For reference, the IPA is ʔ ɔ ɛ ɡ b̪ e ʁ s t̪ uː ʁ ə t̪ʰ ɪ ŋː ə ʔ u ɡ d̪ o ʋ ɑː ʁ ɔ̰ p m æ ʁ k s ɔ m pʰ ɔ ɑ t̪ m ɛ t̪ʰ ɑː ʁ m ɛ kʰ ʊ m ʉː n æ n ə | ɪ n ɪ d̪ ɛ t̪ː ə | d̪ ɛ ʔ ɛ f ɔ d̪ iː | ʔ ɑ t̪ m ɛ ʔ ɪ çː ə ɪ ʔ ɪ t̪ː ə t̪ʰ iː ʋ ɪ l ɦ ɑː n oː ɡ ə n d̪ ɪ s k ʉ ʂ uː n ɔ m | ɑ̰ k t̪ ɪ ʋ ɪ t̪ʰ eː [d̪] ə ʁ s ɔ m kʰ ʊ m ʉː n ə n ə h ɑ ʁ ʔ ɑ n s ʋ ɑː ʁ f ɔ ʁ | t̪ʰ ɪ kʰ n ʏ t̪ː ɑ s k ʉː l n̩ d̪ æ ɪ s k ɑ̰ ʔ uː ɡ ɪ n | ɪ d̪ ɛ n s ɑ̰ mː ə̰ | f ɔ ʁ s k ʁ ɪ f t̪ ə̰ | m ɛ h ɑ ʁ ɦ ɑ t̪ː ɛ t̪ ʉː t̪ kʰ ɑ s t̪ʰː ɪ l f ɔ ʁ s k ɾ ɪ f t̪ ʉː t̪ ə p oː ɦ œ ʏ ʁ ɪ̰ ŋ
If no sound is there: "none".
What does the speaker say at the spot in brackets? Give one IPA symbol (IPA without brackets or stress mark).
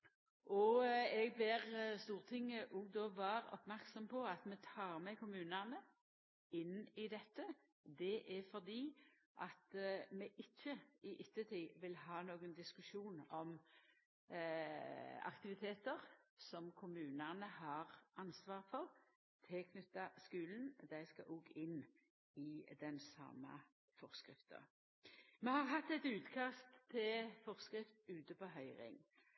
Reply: t̪